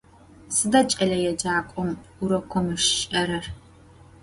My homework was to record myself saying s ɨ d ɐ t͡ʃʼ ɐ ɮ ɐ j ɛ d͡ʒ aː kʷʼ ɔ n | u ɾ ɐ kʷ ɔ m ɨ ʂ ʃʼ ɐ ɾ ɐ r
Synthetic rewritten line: s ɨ d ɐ t͡ʃʼ ɐ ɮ ɐ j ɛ d͡ʒ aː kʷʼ ɔ m | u ɾ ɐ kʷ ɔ m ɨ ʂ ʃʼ ɐ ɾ ɐ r